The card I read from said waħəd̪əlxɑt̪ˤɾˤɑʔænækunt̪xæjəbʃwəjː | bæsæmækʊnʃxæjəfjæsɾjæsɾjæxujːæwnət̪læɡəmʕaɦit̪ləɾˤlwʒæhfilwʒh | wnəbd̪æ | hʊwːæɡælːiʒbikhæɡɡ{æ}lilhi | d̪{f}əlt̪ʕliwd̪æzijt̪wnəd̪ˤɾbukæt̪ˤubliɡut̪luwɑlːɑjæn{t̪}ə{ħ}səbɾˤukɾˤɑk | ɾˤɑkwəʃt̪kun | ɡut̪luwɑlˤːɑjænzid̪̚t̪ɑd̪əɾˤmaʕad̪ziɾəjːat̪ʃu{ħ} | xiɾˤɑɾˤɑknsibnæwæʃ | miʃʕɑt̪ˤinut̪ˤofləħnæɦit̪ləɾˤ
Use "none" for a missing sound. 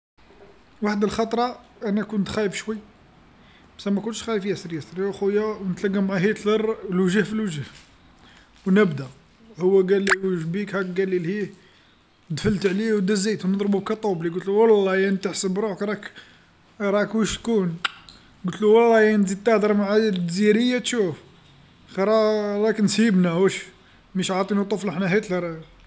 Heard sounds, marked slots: æ, f, t̪, ħ, f

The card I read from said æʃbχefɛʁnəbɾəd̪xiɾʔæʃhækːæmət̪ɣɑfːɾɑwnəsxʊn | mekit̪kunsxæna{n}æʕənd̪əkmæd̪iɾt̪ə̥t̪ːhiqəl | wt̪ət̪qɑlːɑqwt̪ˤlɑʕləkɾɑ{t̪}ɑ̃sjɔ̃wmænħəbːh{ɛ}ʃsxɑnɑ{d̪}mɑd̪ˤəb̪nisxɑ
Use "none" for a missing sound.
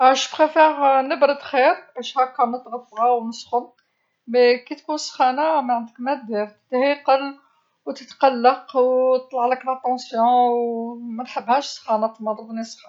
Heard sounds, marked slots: m, t̪, æ, t̪

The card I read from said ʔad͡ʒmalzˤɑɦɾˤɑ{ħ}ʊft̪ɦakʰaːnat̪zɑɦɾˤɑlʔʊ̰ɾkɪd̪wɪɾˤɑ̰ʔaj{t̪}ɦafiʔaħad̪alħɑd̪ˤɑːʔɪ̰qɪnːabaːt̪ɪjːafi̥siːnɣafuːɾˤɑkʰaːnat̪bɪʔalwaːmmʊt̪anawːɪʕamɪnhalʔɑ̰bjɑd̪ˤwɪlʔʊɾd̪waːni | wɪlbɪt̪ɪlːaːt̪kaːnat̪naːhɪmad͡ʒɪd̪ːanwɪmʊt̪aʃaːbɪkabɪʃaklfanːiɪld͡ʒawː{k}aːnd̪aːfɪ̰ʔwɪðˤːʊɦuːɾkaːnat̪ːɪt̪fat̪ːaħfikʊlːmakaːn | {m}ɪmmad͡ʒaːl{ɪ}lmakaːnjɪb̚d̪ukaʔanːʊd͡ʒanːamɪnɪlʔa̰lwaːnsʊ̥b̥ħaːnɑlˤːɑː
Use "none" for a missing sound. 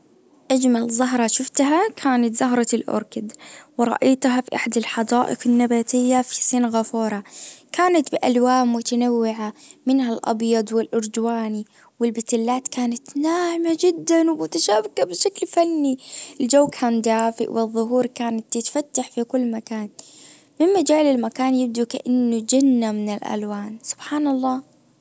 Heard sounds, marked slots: ʃ, t̪, kʰ, m, ɪ

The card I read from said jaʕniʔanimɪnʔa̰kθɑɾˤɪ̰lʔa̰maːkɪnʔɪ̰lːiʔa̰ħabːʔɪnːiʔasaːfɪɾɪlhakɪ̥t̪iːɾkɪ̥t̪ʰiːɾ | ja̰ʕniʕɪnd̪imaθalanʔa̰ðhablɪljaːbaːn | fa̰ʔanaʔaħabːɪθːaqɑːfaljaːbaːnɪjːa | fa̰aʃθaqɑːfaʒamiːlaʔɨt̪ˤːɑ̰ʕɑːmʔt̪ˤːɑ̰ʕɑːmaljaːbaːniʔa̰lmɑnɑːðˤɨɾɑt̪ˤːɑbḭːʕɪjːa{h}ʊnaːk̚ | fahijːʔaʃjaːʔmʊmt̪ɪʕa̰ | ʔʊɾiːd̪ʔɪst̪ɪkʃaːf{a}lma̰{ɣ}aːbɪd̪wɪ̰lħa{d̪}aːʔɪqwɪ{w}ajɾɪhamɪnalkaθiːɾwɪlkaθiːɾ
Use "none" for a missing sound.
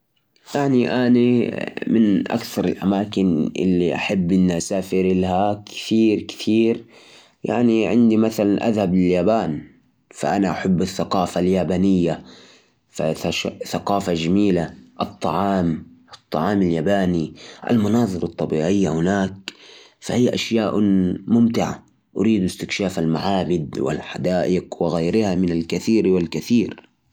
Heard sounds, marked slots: h, a, ʕ, d̪, ɣ

